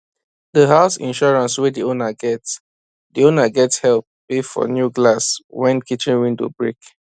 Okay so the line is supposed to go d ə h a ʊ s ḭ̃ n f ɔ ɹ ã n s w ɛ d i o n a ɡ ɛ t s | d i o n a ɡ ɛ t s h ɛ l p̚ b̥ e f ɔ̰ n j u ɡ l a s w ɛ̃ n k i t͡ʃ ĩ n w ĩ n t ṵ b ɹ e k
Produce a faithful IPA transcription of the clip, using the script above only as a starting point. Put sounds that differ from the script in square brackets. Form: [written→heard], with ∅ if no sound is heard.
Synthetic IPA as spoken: d ə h a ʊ s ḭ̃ n [f→ʃ] ɔ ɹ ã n s w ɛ d i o n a ɡ ɛ t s | d i o n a ɡ ɛ t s h ɛ l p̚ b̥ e f ɔ̰ n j u ɡ l a s w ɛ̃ n k i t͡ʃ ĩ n w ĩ n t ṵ b ɹ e k